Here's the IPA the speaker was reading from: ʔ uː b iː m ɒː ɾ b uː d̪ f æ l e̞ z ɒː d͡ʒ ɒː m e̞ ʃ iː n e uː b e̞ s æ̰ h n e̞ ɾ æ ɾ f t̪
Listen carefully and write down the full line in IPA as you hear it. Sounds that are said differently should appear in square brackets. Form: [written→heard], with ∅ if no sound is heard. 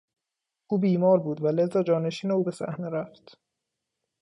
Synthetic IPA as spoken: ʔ uː b iː m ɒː ɾ b uː d̪ [f→v] æ l e̞ z ɒː d͡ʒ ɒː [m→n] e̞ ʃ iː n e uː b e̞ s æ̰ h n e̞ ɾ æ [ɾ→∅] f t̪